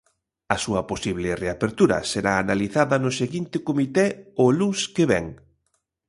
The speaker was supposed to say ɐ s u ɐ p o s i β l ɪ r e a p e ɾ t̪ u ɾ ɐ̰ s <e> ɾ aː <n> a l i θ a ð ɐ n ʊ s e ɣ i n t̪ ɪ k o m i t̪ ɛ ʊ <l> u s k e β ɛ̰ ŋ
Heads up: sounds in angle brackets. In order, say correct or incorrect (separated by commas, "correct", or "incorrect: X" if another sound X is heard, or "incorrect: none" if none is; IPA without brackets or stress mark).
correct, correct, correct